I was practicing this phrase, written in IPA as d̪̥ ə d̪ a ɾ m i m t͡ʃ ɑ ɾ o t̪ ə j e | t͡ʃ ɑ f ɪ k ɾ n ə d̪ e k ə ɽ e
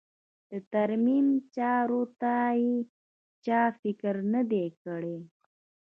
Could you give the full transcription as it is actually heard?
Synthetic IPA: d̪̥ ə t̪ a ɾ m i m t͡ʃ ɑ ɾ o t̪ a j e | t͡ʃ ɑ f ɪ k ɾ n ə d̪ e k ə ɽ e